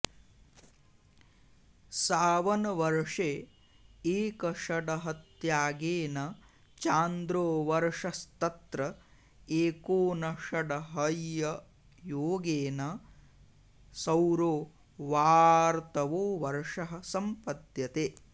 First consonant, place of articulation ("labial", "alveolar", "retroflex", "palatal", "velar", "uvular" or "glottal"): alveolar